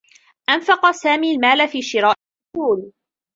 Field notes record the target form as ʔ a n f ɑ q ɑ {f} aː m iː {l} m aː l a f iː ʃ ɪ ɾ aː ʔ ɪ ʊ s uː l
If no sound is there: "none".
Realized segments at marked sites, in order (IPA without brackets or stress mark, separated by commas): s, l